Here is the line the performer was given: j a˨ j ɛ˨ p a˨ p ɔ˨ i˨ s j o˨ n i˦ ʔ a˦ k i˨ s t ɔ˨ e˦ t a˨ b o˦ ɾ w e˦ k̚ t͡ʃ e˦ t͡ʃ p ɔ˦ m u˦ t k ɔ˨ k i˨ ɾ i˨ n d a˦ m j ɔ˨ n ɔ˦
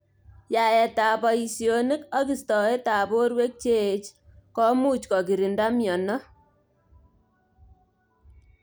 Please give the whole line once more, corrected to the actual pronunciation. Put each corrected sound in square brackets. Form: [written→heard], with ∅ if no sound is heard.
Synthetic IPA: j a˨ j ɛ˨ [p→t] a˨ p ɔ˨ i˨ s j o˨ n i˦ [ʔ→k] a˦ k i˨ s t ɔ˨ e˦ t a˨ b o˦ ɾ w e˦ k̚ t͡ʃ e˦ t͡ʃ [p→k] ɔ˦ m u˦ [t→t͡ʃ] k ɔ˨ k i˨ ɾ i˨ n d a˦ m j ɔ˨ n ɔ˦